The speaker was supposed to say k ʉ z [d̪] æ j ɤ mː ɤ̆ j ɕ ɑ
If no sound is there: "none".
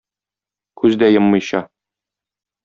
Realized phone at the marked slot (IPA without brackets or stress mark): d̪